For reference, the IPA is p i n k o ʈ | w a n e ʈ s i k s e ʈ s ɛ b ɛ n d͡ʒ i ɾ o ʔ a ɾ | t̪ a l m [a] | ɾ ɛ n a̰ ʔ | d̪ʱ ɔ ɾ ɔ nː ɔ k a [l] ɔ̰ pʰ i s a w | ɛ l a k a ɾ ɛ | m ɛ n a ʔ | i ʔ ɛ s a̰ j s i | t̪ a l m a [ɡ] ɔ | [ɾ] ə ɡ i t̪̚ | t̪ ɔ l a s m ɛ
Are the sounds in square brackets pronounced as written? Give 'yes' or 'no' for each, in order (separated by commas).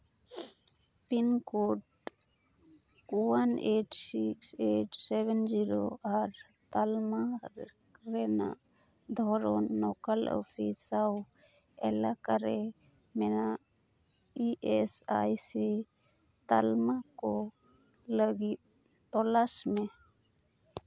yes, yes, no, no